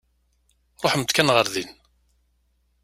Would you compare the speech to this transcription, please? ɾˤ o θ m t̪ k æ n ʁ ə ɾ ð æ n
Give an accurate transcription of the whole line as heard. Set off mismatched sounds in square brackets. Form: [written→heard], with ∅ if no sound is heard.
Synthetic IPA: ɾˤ o [θ→ħ] m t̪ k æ n ʁ ə ɾ ð [æ→i] n